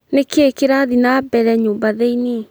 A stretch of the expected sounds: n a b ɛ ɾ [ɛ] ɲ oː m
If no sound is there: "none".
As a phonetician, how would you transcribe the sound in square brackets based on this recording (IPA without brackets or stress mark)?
ɛ